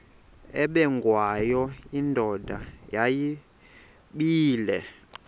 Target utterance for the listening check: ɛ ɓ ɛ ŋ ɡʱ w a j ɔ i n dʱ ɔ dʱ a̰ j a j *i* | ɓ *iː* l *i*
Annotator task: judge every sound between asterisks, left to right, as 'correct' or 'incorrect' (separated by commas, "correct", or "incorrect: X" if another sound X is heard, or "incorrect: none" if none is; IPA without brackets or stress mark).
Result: correct, correct, incorrect: ɛ